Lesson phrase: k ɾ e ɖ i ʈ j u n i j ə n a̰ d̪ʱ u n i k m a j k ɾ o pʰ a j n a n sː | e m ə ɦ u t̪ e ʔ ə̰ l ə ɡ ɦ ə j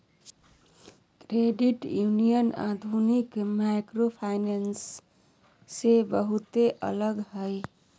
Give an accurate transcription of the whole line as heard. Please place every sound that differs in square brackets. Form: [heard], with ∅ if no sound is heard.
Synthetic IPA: k ɾ e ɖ i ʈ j u n i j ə n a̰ d̪ʱ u n i k m a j k ɾ o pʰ a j n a n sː | e [b] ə ɦ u t̪ e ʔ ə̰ l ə ɡ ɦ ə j